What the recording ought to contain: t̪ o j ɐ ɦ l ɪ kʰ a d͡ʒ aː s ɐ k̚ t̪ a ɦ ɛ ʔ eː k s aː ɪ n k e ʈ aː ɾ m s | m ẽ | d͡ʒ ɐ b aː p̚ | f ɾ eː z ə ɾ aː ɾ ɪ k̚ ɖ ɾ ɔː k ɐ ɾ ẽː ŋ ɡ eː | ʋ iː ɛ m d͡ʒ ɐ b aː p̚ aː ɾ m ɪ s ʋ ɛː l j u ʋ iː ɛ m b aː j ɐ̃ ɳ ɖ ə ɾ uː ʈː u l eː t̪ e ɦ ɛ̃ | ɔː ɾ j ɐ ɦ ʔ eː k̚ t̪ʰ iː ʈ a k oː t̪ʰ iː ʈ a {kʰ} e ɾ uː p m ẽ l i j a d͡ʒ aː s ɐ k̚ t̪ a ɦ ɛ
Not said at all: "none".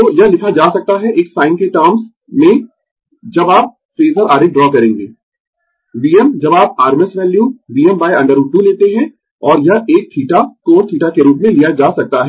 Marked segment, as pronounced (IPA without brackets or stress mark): k